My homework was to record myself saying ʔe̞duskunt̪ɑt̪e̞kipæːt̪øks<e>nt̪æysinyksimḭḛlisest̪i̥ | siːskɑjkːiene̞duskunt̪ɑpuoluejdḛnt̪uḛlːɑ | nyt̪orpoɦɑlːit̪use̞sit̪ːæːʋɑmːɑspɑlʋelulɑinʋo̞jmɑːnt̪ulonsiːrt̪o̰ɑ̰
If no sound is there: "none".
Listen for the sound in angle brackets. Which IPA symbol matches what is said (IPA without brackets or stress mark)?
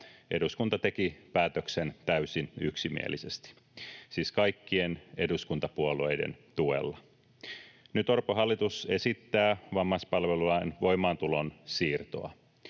e